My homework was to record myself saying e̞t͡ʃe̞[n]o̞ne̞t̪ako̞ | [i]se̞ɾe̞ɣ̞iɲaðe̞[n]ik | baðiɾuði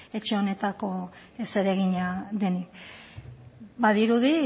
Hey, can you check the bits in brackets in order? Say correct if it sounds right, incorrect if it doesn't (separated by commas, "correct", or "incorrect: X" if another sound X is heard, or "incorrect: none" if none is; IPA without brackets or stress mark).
incorrect: none, incorrect: e, correct